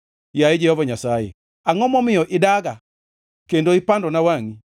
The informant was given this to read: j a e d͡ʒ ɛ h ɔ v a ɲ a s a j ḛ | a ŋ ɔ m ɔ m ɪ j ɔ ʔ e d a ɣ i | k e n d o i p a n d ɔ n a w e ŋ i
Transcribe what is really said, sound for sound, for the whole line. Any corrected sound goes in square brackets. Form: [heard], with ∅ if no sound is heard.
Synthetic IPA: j a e d͡ʒ ɛ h ɔ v a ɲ a s a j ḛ | a ŋ ɔ m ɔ m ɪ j ɔ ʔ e d a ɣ [a] | k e n d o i p a n d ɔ n a w [a] ŋ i